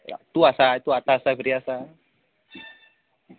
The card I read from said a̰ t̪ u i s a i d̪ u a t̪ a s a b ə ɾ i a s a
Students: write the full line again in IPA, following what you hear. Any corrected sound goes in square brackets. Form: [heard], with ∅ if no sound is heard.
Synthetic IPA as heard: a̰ t̪ u [a] s a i [t̪] u a t̪ a s a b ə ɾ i a s a